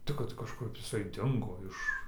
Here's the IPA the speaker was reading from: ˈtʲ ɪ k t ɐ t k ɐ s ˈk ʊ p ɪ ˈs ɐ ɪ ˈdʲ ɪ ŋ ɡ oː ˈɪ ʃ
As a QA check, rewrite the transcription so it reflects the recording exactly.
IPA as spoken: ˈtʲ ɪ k k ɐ t k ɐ ʃ ˈk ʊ p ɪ ˈs ɐ ɪ ˈdʲ ɪ ŋ ɡ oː ˈɪ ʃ